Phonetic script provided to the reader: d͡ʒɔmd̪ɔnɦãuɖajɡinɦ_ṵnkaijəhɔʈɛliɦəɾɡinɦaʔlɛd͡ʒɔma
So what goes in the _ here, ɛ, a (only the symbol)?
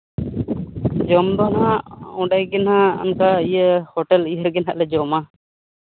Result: a